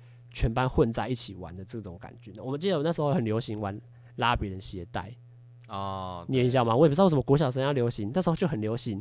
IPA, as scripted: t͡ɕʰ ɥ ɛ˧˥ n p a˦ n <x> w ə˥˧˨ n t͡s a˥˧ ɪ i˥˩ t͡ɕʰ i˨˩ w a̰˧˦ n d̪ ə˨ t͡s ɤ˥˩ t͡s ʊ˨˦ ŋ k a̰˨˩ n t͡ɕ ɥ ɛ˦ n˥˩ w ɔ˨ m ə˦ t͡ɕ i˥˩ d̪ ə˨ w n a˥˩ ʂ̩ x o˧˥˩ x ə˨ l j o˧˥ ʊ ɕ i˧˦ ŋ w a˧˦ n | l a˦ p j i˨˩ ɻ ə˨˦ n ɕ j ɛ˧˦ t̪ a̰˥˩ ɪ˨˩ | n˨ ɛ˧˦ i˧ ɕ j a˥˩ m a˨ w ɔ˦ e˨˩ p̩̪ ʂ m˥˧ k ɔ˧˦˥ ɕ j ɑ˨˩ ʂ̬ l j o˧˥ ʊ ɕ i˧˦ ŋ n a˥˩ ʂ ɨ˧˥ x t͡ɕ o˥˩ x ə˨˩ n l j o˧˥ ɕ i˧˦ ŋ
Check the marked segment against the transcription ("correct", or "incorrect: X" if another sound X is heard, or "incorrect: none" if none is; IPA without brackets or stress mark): correct